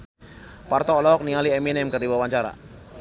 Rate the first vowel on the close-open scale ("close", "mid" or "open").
open